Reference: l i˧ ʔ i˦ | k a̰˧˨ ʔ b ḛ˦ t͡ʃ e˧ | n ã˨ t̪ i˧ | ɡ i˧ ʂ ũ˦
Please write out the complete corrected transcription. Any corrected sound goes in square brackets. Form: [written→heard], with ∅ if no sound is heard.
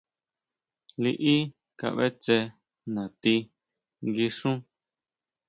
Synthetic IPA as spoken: l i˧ ʔ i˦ | k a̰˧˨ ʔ [b→β] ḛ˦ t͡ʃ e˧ | n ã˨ t̪ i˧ | ɡ i˧ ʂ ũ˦